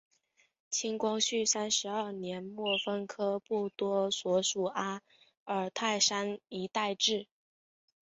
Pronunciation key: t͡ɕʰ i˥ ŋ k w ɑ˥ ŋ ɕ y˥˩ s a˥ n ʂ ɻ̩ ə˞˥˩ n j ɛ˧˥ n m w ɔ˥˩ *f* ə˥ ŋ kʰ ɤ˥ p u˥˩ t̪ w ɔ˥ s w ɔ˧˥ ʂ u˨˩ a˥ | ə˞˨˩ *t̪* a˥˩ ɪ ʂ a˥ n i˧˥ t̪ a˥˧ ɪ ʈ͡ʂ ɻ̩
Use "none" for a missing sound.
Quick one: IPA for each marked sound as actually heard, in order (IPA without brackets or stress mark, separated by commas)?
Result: f, t̪ʰ